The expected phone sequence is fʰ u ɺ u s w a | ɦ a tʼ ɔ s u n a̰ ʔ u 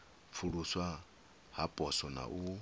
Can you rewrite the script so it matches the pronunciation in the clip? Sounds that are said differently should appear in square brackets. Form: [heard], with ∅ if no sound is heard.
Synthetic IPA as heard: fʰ u ɺ u s w a | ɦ a [pʼ] ɔ s [ɔ] n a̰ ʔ u